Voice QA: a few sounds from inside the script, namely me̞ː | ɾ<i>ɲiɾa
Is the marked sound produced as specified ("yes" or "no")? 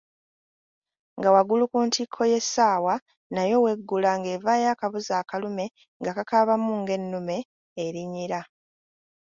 yes